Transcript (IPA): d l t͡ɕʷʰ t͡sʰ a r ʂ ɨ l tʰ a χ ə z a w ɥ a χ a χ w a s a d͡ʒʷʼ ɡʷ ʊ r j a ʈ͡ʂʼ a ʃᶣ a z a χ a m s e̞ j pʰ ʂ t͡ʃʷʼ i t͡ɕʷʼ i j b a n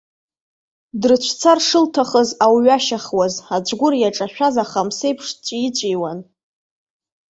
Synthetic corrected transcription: d r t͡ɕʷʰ t͡sʰ a r ʂ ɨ l tʰ a χ ə z a w ɥ a ʃ a χ w a z a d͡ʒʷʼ ɡʷ ʊ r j a ʈ͡ʂʼ a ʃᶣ a z a χ a m s e̞ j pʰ ʂ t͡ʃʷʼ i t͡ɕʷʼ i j w a n